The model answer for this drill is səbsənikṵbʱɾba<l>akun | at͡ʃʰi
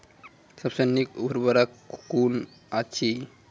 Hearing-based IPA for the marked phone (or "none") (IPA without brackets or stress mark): ɾ